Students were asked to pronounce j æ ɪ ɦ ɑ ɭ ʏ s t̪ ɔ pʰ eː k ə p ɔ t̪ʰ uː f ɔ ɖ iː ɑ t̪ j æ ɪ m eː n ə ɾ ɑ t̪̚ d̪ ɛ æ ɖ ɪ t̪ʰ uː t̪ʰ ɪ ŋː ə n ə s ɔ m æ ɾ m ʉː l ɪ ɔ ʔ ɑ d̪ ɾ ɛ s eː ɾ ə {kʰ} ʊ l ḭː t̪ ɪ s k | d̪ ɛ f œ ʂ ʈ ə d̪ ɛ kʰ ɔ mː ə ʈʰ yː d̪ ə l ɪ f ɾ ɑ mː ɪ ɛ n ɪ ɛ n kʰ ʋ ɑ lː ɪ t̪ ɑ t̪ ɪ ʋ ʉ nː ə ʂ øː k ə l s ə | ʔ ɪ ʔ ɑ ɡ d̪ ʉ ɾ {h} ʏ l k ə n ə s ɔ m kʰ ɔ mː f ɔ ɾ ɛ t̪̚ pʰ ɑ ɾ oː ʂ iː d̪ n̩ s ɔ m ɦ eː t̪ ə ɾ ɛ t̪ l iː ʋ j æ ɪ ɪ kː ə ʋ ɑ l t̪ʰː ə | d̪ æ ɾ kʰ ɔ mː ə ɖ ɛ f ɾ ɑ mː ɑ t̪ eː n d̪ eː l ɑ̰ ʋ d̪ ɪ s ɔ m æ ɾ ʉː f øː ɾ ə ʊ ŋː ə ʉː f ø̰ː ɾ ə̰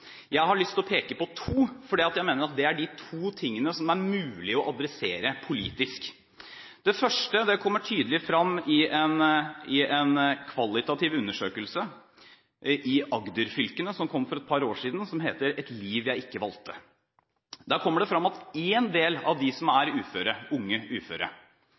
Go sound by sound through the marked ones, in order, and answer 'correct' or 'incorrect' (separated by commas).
incorrect, incorrect